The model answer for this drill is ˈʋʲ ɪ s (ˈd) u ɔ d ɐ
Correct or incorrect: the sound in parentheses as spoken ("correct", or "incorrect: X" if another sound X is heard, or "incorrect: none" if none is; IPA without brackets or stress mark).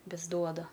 correct